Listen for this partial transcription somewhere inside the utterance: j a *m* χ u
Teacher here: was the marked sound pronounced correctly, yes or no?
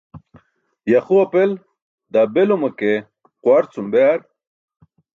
no